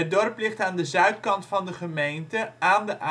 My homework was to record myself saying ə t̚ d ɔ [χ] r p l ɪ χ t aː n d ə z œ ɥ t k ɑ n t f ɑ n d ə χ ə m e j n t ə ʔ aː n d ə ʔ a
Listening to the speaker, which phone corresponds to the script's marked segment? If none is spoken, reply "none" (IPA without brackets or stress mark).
none